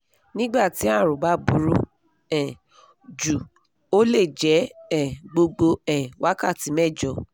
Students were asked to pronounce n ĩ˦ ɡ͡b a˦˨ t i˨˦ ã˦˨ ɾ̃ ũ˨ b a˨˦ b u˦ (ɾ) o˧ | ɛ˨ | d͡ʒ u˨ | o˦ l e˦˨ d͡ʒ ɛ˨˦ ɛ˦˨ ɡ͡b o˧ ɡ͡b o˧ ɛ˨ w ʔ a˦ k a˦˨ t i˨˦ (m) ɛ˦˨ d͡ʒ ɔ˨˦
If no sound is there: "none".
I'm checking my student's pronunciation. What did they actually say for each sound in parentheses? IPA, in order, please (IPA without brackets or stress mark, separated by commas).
ɾ, m